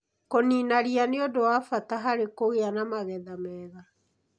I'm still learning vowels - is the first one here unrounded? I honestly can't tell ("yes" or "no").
no